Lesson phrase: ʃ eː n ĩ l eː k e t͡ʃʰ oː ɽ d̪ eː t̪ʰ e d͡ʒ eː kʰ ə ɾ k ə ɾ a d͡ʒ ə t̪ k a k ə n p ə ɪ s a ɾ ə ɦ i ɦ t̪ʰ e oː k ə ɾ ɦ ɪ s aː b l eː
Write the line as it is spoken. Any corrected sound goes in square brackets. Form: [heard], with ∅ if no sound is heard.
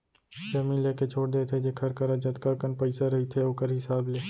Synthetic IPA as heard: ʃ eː [m] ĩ l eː k e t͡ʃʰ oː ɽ d̪ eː t̪ʰ e d͡ʒ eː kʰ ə ɾ k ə ɾ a d͡ʒ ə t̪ k a k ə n p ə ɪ s a ɾ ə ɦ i [∅] t̪ʰ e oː k ə ɾ ɦ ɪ s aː b l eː